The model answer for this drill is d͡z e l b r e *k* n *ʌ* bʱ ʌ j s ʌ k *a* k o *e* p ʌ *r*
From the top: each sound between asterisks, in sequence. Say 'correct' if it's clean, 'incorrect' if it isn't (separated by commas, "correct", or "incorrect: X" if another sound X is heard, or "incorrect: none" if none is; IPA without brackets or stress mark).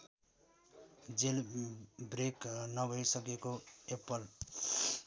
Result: correct, correct, incorrect: e, correct, incorrect: l